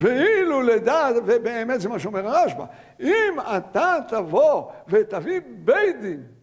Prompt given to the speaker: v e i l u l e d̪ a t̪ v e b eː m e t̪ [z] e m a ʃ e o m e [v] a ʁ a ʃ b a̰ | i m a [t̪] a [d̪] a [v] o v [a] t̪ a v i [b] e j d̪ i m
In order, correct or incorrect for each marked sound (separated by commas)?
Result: correct, incorrect, correct, incorrect, correct, incorrect, correct